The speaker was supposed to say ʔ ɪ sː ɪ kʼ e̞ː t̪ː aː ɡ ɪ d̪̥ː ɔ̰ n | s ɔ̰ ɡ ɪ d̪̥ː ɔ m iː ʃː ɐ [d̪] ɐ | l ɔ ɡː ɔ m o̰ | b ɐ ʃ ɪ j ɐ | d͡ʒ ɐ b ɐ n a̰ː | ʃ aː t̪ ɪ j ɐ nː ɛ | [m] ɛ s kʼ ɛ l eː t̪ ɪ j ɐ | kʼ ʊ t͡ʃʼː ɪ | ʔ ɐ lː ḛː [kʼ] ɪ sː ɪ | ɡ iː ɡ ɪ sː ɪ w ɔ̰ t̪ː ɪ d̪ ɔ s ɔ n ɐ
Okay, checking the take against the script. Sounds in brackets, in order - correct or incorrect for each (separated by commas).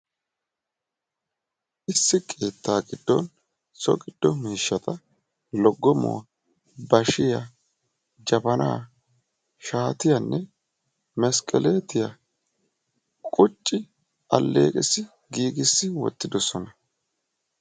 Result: incorrect, correct, correct